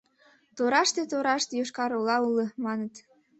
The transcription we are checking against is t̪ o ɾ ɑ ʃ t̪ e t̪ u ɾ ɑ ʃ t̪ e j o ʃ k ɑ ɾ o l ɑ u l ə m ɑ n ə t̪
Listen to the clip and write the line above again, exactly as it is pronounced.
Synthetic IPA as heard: t̪ o ɾ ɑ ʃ t̪ e t̪ o ɾ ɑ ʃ t̪ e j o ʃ k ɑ ɾ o l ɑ u l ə m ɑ n ə t̪